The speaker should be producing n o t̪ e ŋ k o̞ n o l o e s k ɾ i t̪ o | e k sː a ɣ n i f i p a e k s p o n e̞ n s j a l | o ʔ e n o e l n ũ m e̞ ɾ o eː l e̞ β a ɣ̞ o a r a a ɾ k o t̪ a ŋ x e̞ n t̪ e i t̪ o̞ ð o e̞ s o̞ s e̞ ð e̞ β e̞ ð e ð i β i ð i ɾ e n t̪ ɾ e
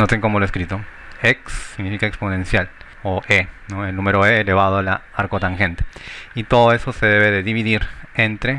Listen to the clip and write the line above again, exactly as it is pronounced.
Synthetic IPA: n o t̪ e ŋ k o̞ m o l o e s k ɾ i t̪ o | e k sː i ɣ n i f i k a e k s p o n e̞ n s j a l | o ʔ e n o e l n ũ m e̞ ɾ o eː l e̞ β a ð̞ o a l a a ɾ k o t̪ a ŋ x e̞ n t̪ e i t̪ o̞ ð o e̞ s o̞ s e̞ ð e̞ β e̞ ð e ð i β i ð i ɾ e n t̪ ɾ e